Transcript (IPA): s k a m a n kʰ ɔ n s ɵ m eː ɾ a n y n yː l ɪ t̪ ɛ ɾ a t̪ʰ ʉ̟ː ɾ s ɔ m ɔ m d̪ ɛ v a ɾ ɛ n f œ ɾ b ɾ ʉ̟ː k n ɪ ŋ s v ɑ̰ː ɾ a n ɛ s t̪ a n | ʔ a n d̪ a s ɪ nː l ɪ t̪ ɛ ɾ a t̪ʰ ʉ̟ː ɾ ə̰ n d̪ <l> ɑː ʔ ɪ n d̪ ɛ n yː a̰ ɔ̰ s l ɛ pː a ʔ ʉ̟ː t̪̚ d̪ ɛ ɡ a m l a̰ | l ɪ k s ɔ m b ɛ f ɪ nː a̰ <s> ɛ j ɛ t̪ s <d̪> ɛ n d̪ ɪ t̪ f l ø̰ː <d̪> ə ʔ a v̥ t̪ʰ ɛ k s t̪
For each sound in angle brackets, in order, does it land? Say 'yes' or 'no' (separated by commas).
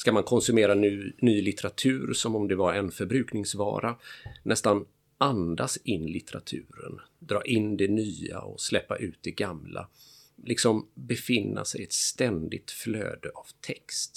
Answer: no, yes, no, yes